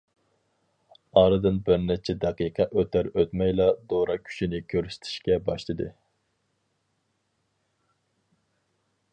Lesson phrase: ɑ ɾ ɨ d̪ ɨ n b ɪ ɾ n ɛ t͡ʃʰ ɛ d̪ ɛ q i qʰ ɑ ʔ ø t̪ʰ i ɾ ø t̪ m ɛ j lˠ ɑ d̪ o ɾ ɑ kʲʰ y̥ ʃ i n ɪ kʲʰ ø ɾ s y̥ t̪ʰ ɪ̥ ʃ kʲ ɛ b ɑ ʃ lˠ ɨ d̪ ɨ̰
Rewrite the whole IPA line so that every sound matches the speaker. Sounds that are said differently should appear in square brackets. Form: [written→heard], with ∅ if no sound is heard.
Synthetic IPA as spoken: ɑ ɾ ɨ d̪ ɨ n b ɪ ɾ n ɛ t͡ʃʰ ɛ d̪ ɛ q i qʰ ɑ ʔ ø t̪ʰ [i→æ] ɾ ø t̪ m ɛ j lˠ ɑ d̪ o ɾ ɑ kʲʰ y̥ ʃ i n ɪ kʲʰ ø ɾ s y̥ t̪ʰ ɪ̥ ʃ kʲ ɛ b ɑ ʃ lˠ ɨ d̪ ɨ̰